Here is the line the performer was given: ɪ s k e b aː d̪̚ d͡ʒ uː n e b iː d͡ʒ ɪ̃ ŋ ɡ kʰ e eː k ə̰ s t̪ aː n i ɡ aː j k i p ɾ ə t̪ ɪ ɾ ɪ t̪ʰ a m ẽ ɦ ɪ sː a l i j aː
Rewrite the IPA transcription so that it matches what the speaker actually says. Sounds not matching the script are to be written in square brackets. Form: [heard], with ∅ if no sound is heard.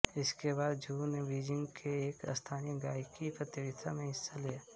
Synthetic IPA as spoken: ɪ s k e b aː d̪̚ d͡ʒ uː n e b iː d͡ʒ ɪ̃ ŋ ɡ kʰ e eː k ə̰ s [t̪ʰ] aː n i ɡ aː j k i p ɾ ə t̪ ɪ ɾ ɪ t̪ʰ a m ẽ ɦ ɪ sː a l i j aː